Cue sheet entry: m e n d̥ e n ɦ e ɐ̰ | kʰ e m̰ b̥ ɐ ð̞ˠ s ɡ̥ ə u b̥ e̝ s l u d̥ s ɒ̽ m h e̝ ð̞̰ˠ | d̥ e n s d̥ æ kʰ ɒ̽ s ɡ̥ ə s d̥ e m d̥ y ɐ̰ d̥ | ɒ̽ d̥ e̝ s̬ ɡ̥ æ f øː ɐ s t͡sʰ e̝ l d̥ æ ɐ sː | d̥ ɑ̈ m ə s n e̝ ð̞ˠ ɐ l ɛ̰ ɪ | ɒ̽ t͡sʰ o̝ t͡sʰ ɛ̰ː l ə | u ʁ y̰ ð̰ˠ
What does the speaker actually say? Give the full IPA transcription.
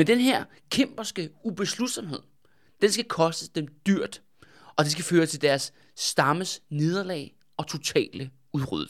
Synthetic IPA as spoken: m e n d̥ e n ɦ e ɐ̰ | kʰ e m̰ b̥ ɐ s ɡ̥ ə u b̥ e̝ s l u d̥ s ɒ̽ m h e̝ ð̞̰ˠ | d̥ e n s ɡ̥ æ kʰ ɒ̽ s d̥ ə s d̥ e m d̥ y ɐ̰ d̥ | ɒ̽ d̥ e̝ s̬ ɡ̥ æ f øː ɐ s t͡sʰ e̝ l d̥ æ ɐ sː | d̥ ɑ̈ m ə s n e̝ ð̞ˠ ɐ l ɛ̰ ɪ | ɒ̽ t͡sʰ o̝ t͡sʰ ɛ̰ː l ə | u ʁ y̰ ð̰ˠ